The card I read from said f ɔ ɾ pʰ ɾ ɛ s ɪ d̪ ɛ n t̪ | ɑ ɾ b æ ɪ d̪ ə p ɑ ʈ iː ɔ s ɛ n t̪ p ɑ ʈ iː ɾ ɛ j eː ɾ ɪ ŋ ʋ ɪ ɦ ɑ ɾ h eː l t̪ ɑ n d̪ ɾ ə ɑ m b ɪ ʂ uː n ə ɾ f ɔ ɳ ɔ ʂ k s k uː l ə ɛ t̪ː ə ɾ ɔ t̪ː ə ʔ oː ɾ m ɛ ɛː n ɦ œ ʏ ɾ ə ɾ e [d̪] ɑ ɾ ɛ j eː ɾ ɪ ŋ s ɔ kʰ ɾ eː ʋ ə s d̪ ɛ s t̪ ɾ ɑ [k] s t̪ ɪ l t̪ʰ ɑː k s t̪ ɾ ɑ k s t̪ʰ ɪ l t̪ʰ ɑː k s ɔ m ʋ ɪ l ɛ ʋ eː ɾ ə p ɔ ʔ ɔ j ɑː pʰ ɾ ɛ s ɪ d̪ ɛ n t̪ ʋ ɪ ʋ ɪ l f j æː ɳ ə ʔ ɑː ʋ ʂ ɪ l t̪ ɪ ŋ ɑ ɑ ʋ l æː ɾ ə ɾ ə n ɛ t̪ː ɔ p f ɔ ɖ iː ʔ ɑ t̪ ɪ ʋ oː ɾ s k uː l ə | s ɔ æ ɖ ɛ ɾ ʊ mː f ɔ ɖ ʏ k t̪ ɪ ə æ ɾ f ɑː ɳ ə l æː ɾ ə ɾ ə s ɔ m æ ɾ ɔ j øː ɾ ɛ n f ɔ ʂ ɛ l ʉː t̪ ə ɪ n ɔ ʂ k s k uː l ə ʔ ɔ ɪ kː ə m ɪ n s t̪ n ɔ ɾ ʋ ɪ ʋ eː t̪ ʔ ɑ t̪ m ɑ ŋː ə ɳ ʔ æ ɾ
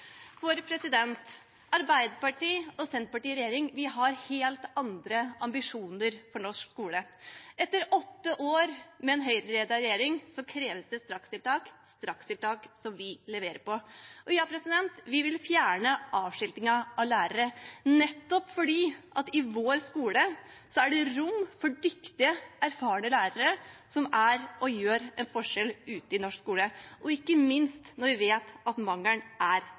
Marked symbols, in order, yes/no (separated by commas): yes, yes